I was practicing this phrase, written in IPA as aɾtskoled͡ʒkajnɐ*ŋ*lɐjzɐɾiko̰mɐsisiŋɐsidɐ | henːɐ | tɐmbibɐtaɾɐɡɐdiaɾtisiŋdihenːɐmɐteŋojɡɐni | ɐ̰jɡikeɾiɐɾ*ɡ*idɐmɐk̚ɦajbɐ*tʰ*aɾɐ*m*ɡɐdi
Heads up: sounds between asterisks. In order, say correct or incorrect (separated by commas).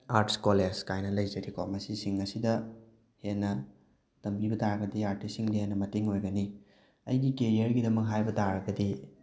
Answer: incorrect, correct, incorrect, incorrect